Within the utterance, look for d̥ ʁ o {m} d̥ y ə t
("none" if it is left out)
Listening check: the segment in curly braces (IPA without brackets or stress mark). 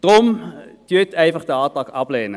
m